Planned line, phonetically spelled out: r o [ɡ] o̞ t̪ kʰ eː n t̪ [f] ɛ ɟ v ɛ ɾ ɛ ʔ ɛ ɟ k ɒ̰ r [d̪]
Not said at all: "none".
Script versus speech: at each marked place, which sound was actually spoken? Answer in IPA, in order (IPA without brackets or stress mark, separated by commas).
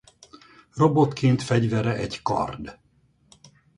b, f, d̪